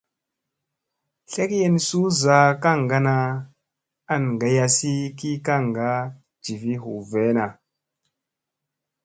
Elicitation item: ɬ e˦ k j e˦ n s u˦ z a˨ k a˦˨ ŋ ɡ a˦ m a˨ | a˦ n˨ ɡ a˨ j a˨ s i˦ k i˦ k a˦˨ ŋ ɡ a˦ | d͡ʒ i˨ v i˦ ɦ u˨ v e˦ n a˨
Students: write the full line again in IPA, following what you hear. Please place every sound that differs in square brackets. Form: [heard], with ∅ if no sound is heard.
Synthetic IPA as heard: ɬ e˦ k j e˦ n s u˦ z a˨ k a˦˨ ŋ ɡ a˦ [n] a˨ | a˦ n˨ ɡ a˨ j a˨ s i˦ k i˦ k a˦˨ ŋ ɡ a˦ | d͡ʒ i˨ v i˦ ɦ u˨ v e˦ n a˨